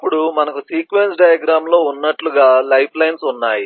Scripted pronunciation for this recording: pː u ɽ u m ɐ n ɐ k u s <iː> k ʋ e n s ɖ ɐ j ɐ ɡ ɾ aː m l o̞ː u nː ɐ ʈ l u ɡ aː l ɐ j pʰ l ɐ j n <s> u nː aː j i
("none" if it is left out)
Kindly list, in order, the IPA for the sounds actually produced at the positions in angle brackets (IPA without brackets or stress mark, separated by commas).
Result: iː, s